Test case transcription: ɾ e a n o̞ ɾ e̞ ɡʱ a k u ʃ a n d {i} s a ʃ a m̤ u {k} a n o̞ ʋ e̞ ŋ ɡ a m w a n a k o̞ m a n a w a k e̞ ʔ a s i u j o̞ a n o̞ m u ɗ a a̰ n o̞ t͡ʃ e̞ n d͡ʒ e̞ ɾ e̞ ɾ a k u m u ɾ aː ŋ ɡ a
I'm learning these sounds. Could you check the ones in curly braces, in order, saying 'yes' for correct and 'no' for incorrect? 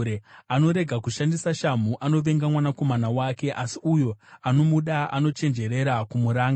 yes, no

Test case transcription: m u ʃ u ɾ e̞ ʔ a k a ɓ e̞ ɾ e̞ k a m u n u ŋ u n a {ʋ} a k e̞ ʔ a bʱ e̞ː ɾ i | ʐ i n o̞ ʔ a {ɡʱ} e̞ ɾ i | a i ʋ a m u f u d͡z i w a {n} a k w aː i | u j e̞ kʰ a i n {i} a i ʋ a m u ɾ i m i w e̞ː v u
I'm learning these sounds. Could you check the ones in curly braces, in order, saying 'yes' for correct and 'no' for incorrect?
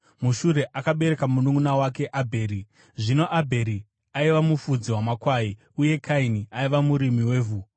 no, no, no, yes

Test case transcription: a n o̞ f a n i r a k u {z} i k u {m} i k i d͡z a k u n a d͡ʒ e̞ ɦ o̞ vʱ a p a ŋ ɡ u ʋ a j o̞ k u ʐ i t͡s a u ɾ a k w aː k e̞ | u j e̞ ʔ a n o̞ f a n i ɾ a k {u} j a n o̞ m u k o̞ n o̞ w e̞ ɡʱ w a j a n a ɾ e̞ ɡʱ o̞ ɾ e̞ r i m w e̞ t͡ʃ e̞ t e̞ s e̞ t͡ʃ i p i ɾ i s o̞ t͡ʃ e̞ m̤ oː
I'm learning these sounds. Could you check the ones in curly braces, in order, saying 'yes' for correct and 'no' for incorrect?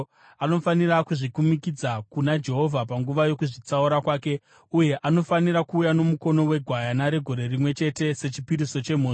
no, yes, no

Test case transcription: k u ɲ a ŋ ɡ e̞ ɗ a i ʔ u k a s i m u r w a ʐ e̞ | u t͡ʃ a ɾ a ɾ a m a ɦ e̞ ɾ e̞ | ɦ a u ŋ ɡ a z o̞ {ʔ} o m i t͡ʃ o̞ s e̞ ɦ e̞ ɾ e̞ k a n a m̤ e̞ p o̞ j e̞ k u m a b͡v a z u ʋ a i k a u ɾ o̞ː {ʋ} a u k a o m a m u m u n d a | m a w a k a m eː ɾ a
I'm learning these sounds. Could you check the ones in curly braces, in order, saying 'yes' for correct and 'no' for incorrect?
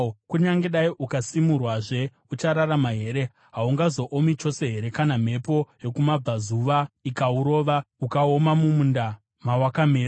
yes, yes

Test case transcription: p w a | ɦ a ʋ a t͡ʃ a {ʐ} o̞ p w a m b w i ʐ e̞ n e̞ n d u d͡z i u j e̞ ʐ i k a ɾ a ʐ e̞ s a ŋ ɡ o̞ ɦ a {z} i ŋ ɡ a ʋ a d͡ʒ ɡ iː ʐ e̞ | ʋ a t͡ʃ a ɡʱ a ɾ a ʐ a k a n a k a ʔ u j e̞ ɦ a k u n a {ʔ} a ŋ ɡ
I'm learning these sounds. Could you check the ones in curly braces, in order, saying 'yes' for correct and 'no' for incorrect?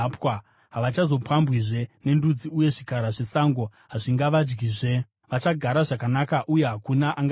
no, no, yes

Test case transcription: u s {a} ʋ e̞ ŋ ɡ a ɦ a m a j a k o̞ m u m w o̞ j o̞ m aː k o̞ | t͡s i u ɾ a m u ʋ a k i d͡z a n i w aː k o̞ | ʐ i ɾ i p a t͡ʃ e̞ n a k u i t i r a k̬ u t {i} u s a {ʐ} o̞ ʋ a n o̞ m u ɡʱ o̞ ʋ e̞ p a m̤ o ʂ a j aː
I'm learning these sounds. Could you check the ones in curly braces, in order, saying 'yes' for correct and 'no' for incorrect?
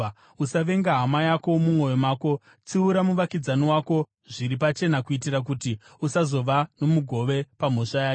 yes, yes, no

